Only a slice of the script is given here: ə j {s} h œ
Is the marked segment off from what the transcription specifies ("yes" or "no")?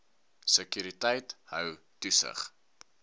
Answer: yes